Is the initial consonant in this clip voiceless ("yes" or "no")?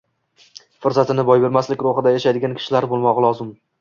yes